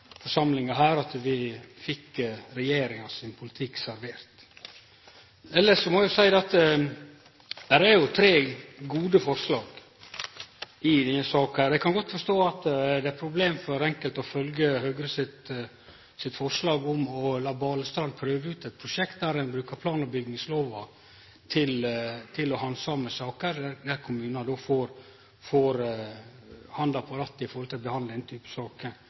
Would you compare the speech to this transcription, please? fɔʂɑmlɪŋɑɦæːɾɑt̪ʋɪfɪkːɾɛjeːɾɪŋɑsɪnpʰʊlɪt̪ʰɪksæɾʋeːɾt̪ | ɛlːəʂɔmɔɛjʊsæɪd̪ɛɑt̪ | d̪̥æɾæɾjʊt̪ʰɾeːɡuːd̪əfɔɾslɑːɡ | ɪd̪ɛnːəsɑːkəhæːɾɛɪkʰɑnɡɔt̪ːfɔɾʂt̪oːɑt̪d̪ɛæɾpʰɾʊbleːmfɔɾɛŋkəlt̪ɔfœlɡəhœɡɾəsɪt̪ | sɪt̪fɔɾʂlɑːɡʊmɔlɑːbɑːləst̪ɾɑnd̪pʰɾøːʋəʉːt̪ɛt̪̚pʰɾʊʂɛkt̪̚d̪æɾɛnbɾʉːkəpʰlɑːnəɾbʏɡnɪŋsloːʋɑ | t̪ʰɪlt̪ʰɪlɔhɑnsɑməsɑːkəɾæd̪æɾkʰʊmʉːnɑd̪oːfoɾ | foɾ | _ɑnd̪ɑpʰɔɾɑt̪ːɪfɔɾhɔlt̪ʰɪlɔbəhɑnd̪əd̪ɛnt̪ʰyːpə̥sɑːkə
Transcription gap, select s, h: h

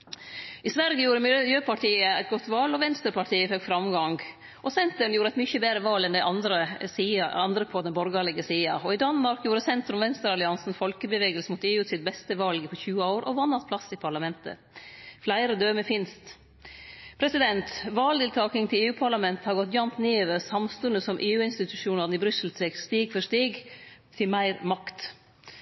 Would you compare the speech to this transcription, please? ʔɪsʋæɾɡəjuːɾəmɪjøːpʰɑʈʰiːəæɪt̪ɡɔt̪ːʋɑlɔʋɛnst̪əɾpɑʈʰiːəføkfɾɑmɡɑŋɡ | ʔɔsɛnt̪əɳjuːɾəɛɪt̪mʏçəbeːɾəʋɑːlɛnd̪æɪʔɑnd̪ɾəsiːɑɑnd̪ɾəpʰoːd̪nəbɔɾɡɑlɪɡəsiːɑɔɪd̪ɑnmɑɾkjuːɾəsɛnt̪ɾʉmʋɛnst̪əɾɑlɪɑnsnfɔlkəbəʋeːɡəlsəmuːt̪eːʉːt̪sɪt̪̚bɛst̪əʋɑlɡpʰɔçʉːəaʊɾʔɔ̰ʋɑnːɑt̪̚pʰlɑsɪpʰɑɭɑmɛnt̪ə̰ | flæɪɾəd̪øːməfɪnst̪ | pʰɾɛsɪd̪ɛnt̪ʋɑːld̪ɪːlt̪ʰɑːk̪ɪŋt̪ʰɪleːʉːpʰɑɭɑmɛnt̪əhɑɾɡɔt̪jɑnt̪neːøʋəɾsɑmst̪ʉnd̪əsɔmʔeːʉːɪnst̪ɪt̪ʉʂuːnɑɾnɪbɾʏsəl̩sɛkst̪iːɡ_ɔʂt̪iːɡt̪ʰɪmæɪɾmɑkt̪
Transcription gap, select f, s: f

